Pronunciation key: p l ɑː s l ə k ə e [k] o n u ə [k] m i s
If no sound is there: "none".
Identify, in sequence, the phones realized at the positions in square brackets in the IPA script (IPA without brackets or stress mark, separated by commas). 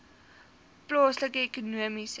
k, none